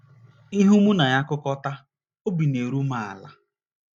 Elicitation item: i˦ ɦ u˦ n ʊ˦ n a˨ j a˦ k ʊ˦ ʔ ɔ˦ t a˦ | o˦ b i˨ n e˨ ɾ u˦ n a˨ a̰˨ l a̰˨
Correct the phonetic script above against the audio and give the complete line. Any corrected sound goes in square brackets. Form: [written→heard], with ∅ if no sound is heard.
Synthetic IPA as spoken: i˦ ɦ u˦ [n→m] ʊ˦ n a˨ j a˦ k ʊ˦ [ʔ→k] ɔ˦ t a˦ | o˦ b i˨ n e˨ ɾ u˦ [n→m] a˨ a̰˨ l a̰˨